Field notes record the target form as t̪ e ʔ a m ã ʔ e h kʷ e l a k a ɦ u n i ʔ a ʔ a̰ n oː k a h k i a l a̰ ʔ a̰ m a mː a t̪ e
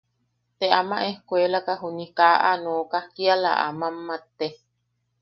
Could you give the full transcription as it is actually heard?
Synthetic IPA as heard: t̪ e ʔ a m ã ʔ e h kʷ e l a k a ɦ u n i k a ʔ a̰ n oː k a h k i a l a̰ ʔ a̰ m a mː a t̪ e